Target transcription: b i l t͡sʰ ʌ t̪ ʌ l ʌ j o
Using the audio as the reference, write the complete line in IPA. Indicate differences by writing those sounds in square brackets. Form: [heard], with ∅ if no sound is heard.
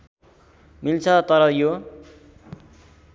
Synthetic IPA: [m] i l t͡sʰ ʌ t̪ ʌ [ɾ] ʌ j o